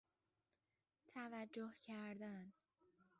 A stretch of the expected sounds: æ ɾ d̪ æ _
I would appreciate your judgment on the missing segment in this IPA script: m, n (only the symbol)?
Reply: n